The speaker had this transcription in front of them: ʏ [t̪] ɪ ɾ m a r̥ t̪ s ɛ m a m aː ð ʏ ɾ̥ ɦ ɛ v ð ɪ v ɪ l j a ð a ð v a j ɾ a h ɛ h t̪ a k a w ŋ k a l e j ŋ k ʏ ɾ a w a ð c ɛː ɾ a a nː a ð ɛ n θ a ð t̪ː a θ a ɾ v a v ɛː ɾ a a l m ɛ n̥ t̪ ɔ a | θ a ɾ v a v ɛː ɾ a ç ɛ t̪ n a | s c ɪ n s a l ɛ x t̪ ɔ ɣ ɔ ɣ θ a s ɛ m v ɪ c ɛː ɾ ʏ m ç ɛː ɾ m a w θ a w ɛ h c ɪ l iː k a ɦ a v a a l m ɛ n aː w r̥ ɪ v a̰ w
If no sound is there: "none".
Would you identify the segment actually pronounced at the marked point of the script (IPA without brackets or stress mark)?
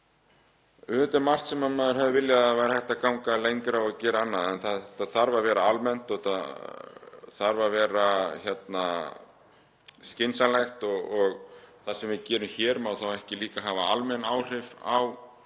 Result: t̪